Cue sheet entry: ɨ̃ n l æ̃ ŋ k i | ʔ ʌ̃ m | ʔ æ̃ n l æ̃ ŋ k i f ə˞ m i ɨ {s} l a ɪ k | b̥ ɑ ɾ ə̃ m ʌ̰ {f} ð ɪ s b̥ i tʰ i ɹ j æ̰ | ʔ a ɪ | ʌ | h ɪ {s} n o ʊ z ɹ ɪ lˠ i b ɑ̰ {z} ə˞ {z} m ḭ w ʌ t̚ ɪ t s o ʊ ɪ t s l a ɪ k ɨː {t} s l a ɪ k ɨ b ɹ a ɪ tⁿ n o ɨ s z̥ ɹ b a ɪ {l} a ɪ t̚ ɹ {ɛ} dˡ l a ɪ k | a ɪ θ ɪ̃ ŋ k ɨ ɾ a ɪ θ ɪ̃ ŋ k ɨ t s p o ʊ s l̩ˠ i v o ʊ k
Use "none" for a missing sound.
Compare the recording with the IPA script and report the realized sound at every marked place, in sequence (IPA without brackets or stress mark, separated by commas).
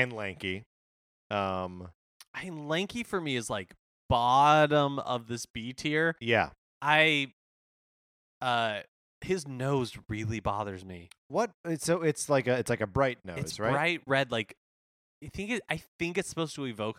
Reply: z, v, z, ð, z, t, ɹ, ɛ